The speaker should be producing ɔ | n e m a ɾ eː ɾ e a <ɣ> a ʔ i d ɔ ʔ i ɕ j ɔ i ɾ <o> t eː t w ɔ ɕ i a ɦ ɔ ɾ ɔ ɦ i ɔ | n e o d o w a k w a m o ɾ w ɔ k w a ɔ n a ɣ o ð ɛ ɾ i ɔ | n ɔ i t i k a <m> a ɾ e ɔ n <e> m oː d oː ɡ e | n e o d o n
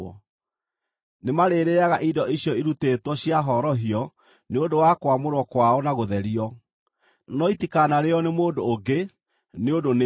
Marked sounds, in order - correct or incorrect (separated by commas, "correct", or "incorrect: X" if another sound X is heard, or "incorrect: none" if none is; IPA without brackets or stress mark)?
correct, incorrect: u, incorrect: n, correct